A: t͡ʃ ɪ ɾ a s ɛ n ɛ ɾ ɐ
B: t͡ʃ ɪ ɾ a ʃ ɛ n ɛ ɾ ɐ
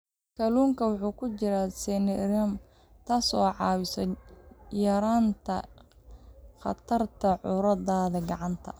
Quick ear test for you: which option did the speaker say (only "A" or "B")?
A